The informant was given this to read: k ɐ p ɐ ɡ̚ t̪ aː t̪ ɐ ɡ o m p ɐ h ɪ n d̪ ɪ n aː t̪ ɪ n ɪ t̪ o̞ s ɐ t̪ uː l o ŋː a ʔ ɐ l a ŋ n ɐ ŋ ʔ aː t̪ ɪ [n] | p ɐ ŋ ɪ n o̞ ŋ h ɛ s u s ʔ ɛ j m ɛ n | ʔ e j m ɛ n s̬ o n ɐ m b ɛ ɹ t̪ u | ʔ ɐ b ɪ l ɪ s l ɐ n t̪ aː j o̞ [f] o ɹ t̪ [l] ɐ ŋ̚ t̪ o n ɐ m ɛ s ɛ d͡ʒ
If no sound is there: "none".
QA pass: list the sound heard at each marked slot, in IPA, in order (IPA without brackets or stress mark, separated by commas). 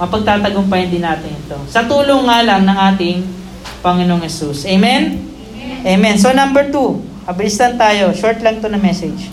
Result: ŋ, ʃ, l